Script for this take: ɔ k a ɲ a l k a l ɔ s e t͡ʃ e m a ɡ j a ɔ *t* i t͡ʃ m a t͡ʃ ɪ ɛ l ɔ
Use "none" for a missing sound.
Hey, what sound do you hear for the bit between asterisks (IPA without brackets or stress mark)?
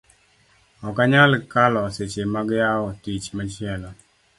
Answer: t